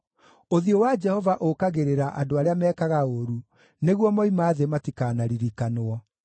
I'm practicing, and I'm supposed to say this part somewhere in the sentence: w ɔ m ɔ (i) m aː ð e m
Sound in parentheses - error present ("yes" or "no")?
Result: no